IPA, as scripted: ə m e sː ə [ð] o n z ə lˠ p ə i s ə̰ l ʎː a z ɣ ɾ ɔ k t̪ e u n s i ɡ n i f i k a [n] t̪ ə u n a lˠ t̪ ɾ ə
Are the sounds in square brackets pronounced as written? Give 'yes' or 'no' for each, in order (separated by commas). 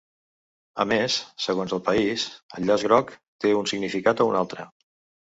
no, no